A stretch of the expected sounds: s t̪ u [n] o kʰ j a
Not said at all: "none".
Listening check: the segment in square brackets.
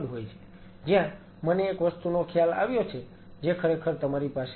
n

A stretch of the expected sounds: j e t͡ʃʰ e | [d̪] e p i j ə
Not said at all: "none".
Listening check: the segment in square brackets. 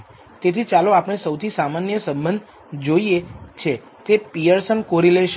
t̪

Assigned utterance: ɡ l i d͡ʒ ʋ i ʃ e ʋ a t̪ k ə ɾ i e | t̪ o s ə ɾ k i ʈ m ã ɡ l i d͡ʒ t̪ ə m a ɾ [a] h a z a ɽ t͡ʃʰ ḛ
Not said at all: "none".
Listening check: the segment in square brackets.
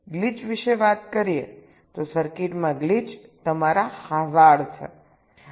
a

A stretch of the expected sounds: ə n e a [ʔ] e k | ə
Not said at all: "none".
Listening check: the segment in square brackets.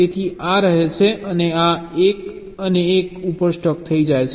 none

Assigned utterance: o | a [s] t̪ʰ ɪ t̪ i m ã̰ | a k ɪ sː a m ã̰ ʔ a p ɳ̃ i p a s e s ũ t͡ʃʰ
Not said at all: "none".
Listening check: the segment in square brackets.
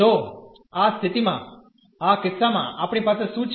s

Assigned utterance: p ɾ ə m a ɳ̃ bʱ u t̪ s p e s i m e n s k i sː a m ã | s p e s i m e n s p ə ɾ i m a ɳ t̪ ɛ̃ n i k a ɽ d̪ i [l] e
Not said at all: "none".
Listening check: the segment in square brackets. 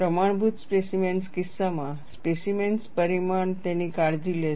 l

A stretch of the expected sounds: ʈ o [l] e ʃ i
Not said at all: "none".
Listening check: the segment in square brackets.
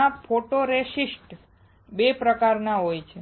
ɾ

